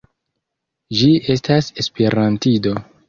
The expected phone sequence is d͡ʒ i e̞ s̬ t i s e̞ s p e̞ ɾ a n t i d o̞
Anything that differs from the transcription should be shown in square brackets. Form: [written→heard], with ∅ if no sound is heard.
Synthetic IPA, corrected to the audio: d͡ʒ i e̞ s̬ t [i→a] s e̞ s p e̞ ɾ a n t i d o̞